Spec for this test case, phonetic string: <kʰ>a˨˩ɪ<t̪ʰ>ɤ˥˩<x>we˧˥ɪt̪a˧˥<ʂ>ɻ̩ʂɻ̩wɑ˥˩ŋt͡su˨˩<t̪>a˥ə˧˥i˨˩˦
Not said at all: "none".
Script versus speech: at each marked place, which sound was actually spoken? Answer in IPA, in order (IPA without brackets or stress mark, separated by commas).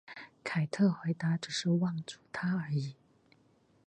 kʰ, t̪ʰ, x, ʈ͡ʂ, t̪ʰ